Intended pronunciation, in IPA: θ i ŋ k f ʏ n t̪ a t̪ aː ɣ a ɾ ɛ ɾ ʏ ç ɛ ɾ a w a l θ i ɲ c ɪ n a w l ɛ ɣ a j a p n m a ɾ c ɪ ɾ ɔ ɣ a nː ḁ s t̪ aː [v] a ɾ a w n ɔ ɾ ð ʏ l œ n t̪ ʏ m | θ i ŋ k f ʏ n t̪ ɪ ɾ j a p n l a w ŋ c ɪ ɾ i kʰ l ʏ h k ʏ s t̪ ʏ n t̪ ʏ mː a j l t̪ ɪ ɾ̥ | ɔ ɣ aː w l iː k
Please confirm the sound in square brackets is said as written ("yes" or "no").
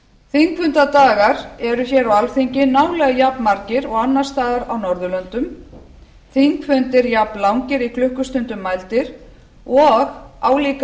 no